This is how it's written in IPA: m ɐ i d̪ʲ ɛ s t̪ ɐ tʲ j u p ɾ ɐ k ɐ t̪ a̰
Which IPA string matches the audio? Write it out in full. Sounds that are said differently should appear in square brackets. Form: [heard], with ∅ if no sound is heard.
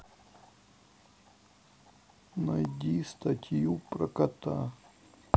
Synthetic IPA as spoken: [n] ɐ [j] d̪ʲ [i] s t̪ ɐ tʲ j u p ɾ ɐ k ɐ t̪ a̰